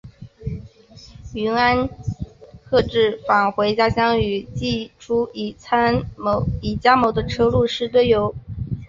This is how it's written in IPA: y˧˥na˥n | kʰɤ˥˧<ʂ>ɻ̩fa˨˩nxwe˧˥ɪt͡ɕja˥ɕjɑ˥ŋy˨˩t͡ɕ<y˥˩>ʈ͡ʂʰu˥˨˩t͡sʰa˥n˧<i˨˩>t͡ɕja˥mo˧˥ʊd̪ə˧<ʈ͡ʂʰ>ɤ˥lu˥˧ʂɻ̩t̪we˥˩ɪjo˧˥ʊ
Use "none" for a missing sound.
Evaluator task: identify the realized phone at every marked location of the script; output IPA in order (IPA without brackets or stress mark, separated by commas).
ʈ͡ʂ, i˥˩, i˨˩, ʈ͡ʂʰ